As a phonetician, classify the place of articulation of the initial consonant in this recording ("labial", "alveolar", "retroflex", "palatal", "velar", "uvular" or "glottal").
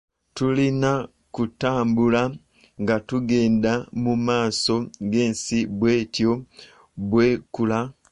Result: alveolar